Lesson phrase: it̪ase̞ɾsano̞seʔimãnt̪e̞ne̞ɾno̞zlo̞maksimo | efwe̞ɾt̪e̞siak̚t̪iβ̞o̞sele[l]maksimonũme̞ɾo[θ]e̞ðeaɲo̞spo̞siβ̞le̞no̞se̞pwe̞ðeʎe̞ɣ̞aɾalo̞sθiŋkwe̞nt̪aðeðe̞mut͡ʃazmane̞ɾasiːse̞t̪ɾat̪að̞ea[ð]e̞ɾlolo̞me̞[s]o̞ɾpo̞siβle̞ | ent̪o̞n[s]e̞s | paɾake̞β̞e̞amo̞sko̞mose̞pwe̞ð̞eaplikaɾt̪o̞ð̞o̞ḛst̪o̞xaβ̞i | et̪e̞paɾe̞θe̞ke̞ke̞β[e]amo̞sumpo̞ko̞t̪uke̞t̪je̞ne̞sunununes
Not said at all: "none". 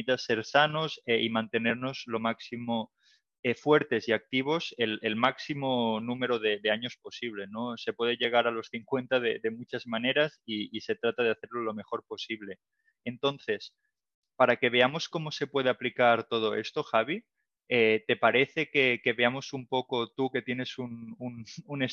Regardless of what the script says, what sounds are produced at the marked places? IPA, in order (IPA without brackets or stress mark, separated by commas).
l, ð, θ, x, θ, e